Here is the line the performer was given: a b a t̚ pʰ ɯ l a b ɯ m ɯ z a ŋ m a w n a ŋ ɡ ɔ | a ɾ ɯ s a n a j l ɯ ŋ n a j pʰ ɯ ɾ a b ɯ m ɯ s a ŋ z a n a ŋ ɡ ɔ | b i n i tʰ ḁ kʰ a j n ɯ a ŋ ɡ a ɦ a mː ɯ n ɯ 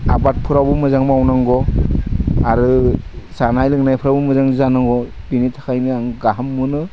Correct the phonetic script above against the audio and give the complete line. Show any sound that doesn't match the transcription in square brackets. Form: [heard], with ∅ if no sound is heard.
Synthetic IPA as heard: a b a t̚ pʰ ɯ [ɾ] a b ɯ m ɯ z a ŋ m a w n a ŋ ɡ ɔ | a ɾ ɯ s a n a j l ɯ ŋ n a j pʰ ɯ ɾ a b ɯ m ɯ [z] a ŋ z a n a ŋ ɡ ɔ | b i n i tʰ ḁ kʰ a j n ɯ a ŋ ɡ a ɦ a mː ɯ n ɯ